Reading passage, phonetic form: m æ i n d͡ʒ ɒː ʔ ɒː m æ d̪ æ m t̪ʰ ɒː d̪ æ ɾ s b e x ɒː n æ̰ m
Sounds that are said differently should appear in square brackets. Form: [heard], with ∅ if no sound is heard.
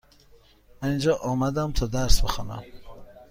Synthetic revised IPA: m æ i n d͡ʒ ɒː ʔ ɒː m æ d̪ æ m t̪ʰ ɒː d̪ æ ɾ s b e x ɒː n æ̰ m